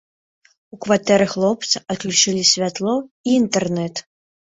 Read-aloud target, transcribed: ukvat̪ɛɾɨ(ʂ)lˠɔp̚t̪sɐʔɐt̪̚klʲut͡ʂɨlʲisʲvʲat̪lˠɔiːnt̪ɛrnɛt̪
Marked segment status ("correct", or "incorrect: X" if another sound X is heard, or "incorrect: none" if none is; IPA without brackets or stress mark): incorrect: x